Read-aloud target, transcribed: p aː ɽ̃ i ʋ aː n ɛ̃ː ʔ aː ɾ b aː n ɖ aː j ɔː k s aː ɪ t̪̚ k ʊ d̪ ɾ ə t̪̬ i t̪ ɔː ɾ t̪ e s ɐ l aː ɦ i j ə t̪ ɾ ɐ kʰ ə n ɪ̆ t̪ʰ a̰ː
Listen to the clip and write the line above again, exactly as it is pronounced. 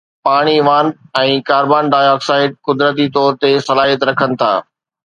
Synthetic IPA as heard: p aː ɽ̃ i ʋ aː n ɛ̃ː k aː ɾ b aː n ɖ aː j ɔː k s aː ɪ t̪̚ k ʊ d̪ ɾ ə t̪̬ i t̪ ɔː ɾ t̪ e s ɐ l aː ɦ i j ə t̪ ɾ ɐ kʰ ə n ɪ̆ t̪ʰ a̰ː

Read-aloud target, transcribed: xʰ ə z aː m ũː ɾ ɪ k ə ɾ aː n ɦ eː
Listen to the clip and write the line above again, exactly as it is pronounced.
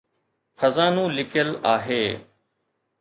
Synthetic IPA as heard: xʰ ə z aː n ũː l ɪ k ə l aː ɦ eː

